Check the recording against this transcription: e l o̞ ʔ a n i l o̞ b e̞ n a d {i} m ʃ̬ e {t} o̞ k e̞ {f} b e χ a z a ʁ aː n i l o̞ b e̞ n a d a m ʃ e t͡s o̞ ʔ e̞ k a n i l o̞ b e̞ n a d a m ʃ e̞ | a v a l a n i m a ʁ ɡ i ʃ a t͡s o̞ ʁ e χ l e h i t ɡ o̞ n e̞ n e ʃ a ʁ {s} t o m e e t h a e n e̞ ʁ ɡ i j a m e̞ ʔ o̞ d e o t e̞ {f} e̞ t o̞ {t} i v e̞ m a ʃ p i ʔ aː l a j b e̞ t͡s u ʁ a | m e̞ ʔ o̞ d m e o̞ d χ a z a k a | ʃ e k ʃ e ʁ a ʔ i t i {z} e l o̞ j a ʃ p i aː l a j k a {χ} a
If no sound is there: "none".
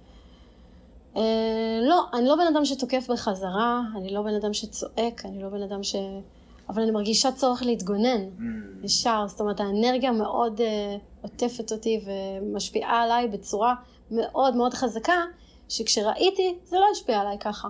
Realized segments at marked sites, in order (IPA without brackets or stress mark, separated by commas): a, t, f, s, f, t, z, χ